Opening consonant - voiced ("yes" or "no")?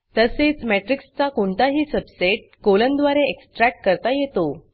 no